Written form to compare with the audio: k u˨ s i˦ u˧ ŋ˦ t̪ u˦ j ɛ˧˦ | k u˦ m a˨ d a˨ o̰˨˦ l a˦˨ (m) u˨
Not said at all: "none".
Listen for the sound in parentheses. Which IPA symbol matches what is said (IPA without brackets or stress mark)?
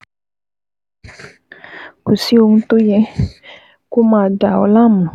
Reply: m